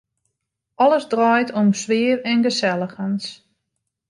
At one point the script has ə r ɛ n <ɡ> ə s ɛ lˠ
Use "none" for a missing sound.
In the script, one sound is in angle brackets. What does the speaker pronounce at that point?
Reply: ɡ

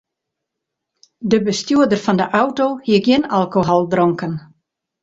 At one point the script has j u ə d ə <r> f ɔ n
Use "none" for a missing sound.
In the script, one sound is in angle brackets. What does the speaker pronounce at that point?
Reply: r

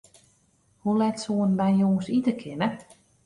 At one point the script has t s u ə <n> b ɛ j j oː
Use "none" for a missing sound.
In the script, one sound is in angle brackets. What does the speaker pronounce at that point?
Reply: n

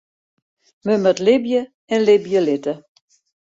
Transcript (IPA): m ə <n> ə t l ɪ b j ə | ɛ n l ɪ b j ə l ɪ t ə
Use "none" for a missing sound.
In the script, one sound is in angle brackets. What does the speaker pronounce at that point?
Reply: m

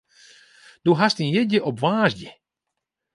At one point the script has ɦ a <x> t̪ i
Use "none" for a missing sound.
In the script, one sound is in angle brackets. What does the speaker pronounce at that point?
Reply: s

